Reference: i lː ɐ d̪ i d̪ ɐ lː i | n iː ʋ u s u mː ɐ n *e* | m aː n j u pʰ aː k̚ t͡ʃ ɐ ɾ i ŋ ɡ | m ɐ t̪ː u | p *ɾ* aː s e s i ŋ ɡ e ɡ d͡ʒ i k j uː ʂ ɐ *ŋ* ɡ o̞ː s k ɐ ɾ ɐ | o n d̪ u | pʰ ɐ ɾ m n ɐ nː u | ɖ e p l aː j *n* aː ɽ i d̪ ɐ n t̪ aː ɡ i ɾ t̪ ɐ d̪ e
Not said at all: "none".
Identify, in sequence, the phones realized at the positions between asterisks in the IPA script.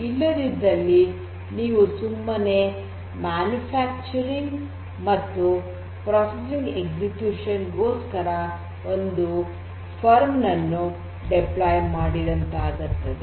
e, ɾ, n, m

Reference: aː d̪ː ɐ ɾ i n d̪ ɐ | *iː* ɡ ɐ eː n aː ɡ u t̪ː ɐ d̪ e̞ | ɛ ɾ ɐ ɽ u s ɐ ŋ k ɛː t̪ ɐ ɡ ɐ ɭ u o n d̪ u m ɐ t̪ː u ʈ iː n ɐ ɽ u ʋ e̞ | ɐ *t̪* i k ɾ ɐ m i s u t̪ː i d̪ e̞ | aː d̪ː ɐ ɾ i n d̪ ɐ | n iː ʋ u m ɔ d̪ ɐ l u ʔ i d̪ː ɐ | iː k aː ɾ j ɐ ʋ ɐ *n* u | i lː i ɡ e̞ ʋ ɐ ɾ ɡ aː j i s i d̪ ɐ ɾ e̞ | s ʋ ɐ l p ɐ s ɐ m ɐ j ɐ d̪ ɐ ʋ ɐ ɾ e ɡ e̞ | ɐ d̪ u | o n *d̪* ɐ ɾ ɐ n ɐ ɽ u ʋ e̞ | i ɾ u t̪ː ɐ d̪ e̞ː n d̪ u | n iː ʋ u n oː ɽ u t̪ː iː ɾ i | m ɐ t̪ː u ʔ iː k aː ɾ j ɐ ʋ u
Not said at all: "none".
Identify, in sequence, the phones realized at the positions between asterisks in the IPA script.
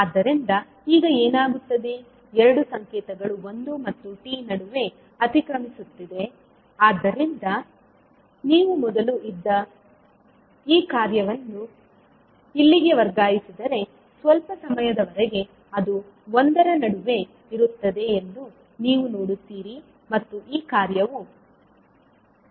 iː, t̪, nː, d̪

